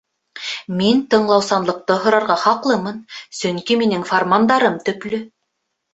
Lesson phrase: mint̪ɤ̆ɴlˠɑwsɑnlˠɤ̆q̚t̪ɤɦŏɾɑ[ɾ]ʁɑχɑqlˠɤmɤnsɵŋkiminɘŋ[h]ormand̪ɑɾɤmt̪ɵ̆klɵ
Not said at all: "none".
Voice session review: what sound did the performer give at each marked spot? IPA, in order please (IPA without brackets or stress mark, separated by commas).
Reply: ɾ, f